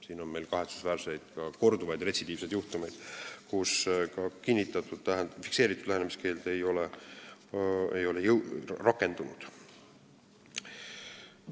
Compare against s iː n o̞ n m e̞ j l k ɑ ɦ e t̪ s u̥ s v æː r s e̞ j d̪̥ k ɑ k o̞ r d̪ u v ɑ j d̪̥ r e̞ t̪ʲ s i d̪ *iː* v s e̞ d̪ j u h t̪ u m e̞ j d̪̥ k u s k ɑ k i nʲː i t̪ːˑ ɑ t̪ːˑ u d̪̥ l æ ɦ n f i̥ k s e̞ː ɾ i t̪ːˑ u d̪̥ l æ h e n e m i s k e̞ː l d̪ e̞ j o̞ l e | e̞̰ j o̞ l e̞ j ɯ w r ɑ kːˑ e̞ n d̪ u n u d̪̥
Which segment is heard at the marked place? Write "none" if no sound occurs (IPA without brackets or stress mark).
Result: iː